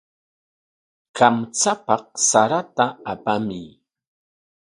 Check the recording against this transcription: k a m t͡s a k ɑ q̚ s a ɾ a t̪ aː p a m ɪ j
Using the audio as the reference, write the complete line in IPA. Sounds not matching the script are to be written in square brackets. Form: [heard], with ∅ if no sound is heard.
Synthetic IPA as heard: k a m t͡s a [p] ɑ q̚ s a ɾ a t̪ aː p a m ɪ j